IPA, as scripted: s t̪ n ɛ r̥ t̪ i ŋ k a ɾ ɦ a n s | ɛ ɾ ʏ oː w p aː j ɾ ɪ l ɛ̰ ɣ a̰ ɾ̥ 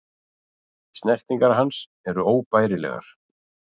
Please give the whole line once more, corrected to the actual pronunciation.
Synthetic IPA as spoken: s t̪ n ɛ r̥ t̪ i ŋ k a ɾ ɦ a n s | ɛ ɾ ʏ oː w p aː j ɾ ɪ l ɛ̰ ɣ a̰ ɾ̥